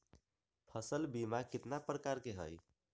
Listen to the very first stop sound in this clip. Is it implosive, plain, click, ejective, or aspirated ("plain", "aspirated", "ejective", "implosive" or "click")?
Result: aspirated